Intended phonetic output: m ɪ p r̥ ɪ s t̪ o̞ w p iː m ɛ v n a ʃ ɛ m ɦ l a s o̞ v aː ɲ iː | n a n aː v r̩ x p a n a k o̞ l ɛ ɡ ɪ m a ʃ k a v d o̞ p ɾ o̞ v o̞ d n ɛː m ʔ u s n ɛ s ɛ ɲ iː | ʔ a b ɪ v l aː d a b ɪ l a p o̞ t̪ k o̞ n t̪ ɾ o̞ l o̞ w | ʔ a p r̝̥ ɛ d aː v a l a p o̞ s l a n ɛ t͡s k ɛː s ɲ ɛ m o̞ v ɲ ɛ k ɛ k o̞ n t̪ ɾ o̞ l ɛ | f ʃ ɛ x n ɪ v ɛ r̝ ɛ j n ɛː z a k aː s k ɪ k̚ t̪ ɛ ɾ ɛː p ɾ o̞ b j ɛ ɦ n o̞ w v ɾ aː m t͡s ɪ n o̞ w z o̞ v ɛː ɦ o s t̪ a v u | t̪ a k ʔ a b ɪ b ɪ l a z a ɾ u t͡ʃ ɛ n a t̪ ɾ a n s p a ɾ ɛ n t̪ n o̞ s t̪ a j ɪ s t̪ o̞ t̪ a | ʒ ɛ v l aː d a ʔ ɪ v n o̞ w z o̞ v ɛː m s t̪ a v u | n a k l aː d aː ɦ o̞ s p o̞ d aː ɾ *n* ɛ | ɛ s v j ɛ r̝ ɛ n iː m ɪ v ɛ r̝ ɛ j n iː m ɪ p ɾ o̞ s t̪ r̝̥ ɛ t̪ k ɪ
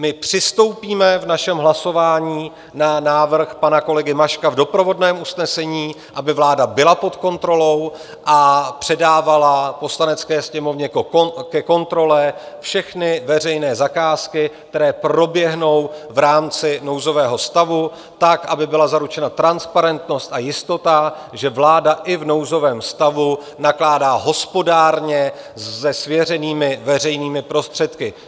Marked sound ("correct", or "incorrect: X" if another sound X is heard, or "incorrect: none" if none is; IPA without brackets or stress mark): incorrect: ɲ